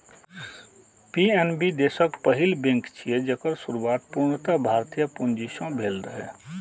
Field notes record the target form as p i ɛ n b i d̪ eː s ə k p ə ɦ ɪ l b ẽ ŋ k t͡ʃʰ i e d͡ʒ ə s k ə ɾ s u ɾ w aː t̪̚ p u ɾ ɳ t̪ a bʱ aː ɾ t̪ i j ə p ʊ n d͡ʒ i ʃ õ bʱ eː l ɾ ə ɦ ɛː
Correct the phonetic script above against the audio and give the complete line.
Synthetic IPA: p i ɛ n b i d̪ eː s ə k p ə ɦ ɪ l b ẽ ŋ k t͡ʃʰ i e d͡ʒ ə k ə ɾ s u ɾ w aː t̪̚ p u ɾ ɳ t̪ a bʱ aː ɾ t̪ i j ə p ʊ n d͡ʒ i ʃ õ bʱ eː l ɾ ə ɦ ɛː